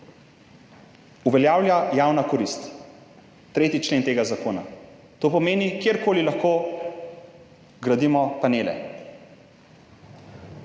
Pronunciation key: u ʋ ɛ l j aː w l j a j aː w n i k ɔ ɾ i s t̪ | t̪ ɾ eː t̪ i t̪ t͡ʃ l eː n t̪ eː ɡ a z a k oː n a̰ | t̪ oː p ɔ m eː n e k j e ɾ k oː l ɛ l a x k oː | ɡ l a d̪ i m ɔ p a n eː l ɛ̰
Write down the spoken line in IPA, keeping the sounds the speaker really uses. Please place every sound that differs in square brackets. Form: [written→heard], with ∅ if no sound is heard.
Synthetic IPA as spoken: u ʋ ɛ l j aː w l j a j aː w n [i→a] k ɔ ɾ i s t̪ | t̪ ɾ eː t̪ i [t̪→∅] t͡ʃ l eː n t̪ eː ɡ a z a k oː n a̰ | t̪ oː p ɔ m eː n [e→i] k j e ɾ k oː l [ɛ→i] l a x k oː | ɡ [l→ɾ] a d̪ i m ɔ p a n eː l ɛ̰